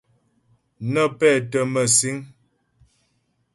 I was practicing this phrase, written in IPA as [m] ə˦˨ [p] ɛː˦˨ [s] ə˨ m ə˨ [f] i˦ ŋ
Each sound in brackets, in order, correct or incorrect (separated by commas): incorrect, correct, incorrect, incorrect